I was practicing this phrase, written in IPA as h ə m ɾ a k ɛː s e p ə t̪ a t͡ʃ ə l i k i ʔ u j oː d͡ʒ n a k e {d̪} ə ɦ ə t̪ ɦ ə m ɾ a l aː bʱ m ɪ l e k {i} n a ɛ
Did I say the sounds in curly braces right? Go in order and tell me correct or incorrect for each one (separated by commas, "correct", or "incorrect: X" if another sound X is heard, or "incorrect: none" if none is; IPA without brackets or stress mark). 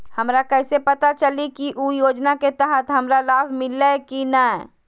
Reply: incorrect: t̪, correct